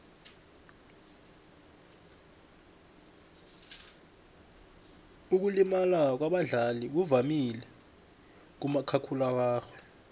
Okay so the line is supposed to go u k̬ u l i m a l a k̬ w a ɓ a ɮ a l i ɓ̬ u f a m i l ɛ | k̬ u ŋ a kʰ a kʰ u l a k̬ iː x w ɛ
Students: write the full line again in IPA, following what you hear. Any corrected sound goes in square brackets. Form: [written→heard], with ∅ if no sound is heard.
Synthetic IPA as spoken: u k̬ u l i m a l a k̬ w a ɓ a ɮ a l i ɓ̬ u [f→v] a m i l ɛ | k̬ u [ŋ→m] a kʰ a kʰ u l a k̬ [iː→aː] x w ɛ